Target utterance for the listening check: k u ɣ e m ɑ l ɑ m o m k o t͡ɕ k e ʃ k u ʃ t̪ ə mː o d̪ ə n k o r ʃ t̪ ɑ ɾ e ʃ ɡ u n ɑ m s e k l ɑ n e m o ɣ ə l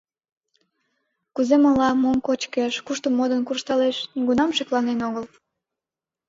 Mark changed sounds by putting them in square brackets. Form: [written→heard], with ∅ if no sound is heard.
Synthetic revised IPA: k u [ɣ→z] e m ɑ l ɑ m o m k o t͡ɕ k e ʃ k u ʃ t̪ ə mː o d̪ ə n k [o→u] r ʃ t̪ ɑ [ɾ→l] e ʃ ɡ u n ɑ m [s→ʃ] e k l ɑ n e [m→n] o ɣ ə l